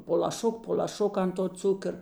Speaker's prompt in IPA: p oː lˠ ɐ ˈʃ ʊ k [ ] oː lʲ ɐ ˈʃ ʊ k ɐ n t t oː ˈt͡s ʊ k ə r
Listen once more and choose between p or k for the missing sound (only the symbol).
p